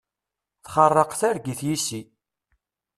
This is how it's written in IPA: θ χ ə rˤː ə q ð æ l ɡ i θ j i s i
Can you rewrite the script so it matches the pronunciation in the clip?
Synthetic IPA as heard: θ χ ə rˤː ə q θ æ ɾ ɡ i θ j i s i